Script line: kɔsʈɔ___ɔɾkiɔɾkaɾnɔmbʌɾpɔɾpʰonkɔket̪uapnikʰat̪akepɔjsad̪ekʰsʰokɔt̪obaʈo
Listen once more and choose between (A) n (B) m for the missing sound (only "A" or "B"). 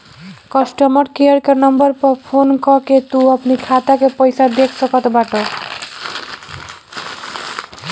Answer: B